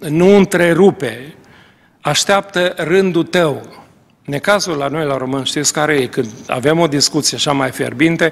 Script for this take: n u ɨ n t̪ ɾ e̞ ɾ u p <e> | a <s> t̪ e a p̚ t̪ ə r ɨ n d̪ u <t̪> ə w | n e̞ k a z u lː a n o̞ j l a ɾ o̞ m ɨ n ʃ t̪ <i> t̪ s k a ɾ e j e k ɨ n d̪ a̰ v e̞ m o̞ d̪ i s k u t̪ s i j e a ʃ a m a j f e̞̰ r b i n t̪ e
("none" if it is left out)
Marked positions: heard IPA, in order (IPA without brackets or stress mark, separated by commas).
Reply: e, ʃ, t̪, i